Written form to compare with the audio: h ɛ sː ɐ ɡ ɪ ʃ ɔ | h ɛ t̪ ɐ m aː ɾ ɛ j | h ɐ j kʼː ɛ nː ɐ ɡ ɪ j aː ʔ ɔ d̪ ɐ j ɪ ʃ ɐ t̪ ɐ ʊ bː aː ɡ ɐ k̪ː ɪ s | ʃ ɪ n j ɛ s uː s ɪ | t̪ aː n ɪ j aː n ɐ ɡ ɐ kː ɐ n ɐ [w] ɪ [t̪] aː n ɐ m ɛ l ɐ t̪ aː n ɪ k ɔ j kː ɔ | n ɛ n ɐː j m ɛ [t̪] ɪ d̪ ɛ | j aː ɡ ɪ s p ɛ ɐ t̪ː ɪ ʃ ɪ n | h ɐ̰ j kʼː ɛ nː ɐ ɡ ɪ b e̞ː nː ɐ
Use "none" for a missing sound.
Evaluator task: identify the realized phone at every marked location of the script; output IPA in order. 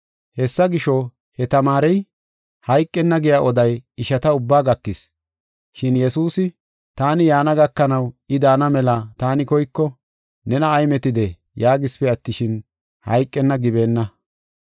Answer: w, d̪, t̪

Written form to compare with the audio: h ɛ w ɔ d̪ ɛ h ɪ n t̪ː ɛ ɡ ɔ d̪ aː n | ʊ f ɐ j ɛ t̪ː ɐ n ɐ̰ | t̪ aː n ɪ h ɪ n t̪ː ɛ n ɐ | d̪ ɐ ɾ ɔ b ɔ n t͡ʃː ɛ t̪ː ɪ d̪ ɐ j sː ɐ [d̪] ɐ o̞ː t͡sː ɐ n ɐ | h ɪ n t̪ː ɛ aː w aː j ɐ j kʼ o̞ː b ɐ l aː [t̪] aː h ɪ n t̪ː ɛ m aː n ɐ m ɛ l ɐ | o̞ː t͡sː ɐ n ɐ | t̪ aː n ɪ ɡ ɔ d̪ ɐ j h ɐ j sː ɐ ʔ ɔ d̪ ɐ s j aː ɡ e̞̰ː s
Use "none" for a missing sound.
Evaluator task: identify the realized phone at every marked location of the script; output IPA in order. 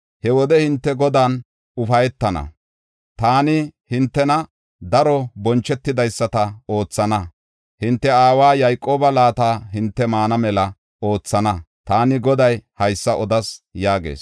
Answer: t̪, t̪

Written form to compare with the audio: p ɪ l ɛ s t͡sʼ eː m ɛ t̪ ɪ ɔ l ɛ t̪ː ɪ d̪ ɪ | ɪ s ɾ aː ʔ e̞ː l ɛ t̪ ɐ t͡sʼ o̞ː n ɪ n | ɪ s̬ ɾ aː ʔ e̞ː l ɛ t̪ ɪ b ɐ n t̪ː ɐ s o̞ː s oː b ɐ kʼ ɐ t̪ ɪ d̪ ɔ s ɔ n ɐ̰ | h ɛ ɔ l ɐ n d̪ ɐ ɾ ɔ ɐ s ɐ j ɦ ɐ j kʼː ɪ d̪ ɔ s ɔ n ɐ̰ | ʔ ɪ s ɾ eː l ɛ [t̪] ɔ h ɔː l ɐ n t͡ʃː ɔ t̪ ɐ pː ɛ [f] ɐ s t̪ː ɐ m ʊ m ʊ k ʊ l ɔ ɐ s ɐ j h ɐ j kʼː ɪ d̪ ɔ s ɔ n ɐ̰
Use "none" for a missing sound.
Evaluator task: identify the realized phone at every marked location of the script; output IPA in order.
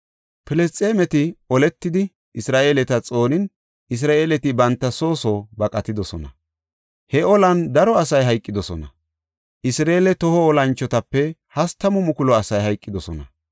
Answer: t̪, h

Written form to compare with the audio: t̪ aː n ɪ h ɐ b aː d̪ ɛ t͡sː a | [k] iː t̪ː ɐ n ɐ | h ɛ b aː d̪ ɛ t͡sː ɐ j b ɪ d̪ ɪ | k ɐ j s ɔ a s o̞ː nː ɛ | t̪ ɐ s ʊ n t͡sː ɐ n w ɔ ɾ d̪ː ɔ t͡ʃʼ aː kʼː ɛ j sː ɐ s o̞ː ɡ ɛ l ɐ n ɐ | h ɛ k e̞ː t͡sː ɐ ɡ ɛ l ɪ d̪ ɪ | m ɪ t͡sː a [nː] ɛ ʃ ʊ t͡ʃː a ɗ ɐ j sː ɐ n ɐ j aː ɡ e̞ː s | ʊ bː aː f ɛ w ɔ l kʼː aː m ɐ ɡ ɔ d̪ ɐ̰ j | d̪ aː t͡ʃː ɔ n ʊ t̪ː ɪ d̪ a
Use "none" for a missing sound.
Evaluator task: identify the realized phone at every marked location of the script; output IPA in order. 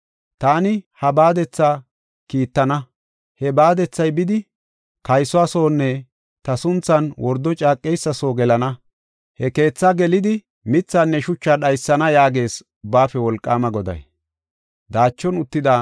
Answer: k, nː

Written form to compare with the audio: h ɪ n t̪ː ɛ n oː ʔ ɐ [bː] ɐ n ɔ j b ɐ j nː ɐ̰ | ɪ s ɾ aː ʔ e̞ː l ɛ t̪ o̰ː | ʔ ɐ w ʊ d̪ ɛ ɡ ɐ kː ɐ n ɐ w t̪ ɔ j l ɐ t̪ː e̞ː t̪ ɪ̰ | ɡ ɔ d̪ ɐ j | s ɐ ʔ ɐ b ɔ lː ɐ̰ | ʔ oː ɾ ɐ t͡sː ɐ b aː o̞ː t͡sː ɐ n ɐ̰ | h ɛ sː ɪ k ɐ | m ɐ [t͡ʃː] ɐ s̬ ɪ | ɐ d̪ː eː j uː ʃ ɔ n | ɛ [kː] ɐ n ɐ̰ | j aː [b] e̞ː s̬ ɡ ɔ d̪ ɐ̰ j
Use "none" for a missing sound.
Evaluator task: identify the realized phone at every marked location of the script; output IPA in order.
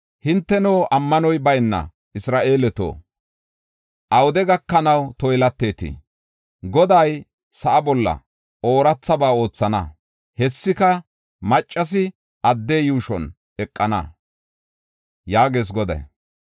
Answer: mː, t͡ʃʼː, kʼː, ɡ

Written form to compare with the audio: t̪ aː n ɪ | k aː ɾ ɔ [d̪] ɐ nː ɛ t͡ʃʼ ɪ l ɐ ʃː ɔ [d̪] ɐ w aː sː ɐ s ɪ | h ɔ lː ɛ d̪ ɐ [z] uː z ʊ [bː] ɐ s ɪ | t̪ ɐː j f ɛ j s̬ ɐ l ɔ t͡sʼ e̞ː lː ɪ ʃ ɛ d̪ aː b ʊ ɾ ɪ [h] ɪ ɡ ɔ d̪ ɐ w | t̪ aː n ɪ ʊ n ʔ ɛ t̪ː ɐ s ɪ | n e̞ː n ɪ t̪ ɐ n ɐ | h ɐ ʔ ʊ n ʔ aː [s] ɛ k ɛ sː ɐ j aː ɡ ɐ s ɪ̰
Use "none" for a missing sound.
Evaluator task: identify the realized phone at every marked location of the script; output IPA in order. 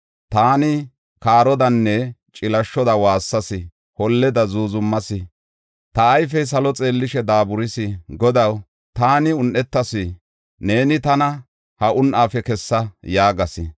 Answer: d̪, d̪, z, mː, s, f

